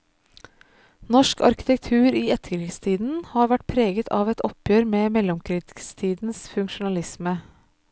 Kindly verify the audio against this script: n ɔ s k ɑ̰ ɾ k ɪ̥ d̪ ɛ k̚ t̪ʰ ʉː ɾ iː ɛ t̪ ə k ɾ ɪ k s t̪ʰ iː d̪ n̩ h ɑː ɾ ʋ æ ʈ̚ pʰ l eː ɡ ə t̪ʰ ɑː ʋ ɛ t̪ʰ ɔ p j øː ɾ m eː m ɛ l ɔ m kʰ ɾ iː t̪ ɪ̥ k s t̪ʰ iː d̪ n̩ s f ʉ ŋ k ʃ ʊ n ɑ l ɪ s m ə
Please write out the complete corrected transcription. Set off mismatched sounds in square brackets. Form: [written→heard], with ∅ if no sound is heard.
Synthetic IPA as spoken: n ɔ [s→ʃ] k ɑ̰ ɾ k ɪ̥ [d̪→t̪] ɛ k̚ t̪ʰ ʉː ɾ iː ɛ t̪ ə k ɾ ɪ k s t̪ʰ iː d̪ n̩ h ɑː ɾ ʋ æ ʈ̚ pʰ [l→ɾ] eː ɡ ə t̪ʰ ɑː ʋ ɛ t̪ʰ ɔ p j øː ɾ m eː m ɛ l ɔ m kʰ ɾ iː t̪ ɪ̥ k s t̪ʰ iː d̪ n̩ s f ʉ ŋ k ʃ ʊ n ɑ l ɪ s m ə